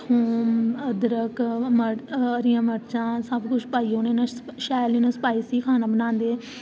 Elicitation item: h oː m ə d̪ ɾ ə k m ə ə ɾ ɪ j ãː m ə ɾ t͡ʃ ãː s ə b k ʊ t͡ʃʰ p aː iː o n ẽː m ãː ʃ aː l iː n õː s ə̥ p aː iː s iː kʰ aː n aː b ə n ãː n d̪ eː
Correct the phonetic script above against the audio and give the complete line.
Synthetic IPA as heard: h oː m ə d̪ ɾ ə k m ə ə ɾ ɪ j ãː m ə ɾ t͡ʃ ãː s ə b k ʊ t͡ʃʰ p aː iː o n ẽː n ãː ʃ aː l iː n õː s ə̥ p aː iː s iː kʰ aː n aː b ə n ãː n d̪ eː